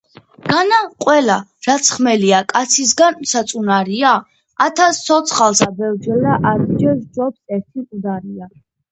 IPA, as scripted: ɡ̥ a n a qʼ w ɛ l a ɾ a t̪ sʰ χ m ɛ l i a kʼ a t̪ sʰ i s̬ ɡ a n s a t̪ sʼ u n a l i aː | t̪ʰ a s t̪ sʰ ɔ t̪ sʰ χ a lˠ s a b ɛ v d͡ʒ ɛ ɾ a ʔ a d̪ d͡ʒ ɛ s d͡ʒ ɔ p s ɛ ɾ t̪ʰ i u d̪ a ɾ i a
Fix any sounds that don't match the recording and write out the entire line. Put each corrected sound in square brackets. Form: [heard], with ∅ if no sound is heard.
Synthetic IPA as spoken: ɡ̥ a n a qʼ w ɛ l a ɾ a t̪ sʰ χ m ɛ l i a kʼ a t̪ sʰ i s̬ ɡ a n s a t̪ sʼ u n a [ɾ] i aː | t̪ʰ a s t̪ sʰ ɔ t̪ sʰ χ a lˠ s a b ɛ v d͡ʒ ɛ [l] a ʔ a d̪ d͡ʒ ɛ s d͡ʒ ɔ p s ɛ ɾ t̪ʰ i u d̪ a ɾ i a